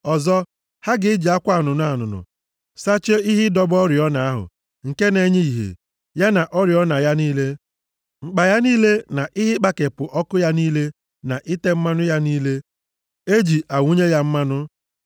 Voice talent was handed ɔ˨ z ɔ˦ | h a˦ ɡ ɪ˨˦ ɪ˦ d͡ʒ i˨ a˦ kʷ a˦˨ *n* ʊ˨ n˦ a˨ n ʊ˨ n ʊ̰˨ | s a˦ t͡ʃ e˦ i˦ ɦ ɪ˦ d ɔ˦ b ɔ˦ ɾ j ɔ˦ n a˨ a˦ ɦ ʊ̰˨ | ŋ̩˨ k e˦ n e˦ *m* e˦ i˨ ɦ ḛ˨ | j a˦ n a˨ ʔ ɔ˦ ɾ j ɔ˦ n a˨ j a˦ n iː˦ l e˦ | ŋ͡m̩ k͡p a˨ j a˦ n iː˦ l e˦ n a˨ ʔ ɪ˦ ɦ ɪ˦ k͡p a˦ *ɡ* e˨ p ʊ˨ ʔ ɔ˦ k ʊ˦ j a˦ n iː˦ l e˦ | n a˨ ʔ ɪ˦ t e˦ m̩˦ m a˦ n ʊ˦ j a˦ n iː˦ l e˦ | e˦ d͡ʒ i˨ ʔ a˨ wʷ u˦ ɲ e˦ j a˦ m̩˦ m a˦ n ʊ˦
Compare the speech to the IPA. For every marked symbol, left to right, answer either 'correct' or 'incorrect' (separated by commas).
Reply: correct, incorrect, incorrect